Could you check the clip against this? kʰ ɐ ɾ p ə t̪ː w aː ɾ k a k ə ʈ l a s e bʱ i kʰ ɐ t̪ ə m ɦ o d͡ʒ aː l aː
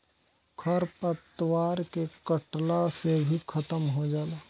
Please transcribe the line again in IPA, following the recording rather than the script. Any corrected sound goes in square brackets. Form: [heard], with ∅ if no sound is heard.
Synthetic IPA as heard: kʰ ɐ ɾ p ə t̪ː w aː ɾ k [e] k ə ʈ l a s e bʱ i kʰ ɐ t̪ ə m ɦ o d͡ʒ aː l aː